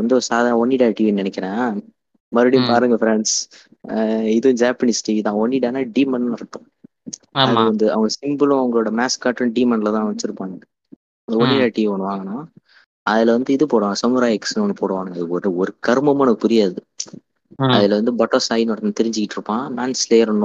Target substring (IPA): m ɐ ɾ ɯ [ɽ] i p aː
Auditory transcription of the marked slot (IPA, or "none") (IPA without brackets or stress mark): ɽ